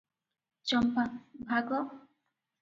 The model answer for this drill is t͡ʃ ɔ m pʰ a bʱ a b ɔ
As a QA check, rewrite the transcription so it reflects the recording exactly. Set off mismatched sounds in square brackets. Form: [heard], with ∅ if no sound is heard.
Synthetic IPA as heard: t͡ʃ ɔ m [p] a bʱ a [ɡ] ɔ